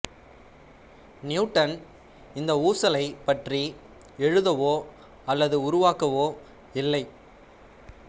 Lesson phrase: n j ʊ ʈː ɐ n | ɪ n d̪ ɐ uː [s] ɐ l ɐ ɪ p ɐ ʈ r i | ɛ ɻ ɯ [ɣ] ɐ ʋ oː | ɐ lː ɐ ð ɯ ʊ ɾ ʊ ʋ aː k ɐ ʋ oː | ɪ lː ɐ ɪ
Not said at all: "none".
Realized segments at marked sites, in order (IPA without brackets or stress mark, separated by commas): s, ð